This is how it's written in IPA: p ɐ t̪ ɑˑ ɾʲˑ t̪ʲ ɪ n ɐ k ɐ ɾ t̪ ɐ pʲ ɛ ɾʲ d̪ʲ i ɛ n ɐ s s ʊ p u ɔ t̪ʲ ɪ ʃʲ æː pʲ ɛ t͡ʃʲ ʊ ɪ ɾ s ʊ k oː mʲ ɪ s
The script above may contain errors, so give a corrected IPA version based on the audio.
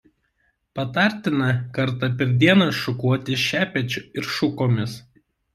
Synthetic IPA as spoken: p ɐ t̪ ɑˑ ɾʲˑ t̪ʲ ɪ n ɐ k ɐ ɾ t̪ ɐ pʲ ɛ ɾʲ d̪ʲ i ɛ n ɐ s ʃ ʊ k u ɔ t̪ʲ ɪ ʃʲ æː pʲ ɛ t͡ʃʲ ʊ ɪ ɾ ʃ ʊ k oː mʲ ɪ s

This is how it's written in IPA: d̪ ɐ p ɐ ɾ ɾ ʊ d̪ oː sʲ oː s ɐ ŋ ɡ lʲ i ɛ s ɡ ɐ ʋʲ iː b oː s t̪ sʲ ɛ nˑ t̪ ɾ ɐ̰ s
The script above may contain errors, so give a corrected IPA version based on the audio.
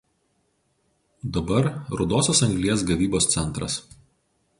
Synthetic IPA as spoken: d̪ ɐ b ɐ ɾ ɾ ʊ d̪ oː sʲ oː s ɐ ŋ ɡ lʲ i ɛ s ɡ ɐ ʋʲ iː b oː s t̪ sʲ ɛ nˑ t̪ ɾ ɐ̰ s

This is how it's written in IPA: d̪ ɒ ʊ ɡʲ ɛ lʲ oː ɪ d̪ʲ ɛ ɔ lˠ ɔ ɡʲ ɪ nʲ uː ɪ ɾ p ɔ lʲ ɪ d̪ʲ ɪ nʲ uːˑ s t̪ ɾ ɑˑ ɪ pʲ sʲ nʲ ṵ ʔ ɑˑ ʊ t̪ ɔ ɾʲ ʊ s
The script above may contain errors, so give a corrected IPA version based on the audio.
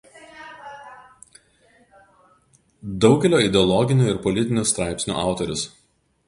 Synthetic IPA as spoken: d̪ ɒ ʊ ɡʲ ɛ lʲ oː ɪ d̪ʲ ɛ ɔ lˠ ɔ ɡʲ ɪ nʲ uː ɪ ɾ p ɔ lʲ ɪ t̪ʲ ɪ nʲ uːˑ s t̪ ɾ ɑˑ ɪ pʲ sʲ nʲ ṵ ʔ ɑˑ ʊ t̪ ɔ ɾʲ ʊ s

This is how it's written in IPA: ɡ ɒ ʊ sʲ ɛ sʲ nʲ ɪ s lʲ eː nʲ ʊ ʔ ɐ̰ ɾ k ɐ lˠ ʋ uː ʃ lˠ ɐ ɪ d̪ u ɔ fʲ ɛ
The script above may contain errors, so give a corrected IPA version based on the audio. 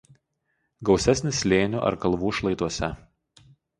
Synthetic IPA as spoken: ɡ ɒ ʊ sʲ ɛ sʲ nʲ ɪ s lʲ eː nʲ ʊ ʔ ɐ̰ ɾ k ɐ lˠ ʋ uː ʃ lˠ ɐ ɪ t̪ u ɔ sʲ ɛ

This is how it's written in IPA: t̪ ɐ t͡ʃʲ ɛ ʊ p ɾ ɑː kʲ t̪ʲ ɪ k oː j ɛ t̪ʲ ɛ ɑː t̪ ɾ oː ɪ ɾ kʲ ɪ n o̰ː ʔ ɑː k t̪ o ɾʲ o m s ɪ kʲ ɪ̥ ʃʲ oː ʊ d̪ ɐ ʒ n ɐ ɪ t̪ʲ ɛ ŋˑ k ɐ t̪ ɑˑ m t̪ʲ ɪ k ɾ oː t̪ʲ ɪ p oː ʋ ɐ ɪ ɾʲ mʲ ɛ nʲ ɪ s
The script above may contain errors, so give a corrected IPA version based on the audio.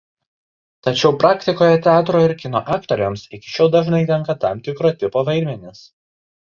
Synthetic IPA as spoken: t̪ ɐ t͡ʃʲ ɛ ʊ p ɾ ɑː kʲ t̪ʲ ɪ k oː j ɛ t̪ʲ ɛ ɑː t̪ ɾ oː ɪ ɾ kʲ ɪ n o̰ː ʔ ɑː k t̪ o ɾʲ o m s ɪ kʲ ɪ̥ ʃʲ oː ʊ d̪ ɐ ʒ n ɐ ɪ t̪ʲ ɛ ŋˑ k ɐ t̪ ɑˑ m t̪ʲ ɪ k ɾ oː t̪ʲ ɪ p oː ʋ ɐ ɪ ɾʲ mʲ ɛ nʲ ɪ s

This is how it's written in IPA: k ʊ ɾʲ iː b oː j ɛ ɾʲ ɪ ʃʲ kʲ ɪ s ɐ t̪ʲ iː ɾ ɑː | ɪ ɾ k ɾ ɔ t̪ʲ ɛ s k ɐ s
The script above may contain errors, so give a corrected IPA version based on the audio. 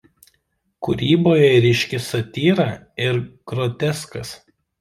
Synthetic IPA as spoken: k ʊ ɾʲ iː b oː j ɛ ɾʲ ɪ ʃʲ kʲ ɪ s ɐ t̪ʲ iː ɾ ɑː | ɪ ɾ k ɾ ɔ t̪ʲ ɛ s k ɐ s

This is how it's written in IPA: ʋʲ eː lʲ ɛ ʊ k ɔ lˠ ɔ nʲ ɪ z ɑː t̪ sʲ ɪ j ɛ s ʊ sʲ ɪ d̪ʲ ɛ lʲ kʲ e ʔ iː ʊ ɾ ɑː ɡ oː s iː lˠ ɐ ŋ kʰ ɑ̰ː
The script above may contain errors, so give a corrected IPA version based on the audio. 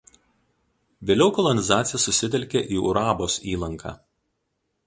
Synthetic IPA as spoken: ʋʲ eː lʲ ɛ ʊ k ɔ lˠ ɔ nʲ ɪ z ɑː t̪ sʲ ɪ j ɛ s ʊ sʲ ɪ t̪ʲ ɛ lʲ kʲ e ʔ iː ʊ ɾ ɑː b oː s iː lˠ ɐ ŋ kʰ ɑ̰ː

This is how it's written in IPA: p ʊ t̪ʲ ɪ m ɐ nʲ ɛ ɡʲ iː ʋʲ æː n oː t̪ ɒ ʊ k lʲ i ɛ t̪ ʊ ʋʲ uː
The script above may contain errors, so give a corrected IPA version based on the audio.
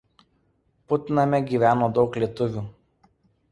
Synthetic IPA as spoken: p ʊ t̪ʲ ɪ n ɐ mʲ ɛ ɡʲ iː ʋʲ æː n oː d̪ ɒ ʊ k lʲ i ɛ t̪ ʊ ʋʲ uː

